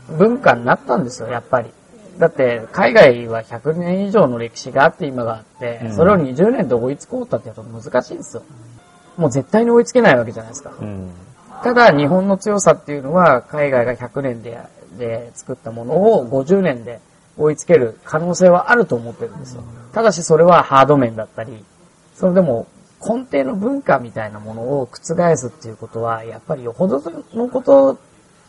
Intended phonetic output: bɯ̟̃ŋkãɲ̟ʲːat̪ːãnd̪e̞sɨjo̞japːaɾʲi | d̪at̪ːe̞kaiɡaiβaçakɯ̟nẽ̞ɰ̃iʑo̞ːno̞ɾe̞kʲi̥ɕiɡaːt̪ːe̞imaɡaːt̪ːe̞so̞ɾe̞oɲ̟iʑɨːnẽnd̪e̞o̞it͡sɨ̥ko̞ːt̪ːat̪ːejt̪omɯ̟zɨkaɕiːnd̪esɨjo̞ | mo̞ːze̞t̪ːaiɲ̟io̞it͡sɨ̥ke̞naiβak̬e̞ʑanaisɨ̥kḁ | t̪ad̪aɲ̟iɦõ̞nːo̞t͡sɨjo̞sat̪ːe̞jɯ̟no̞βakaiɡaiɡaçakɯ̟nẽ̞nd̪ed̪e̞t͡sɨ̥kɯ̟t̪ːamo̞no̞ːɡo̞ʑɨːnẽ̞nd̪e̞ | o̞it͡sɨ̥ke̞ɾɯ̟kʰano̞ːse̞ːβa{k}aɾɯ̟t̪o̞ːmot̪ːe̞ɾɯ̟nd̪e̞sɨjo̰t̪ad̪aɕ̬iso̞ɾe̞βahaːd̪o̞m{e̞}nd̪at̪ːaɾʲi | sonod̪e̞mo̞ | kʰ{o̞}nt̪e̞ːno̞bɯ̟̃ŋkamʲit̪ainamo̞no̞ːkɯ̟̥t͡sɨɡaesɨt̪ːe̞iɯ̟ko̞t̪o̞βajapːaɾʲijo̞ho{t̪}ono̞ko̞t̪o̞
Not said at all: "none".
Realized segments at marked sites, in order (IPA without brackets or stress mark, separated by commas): ʔ, ẽ̞, õ̞, d̪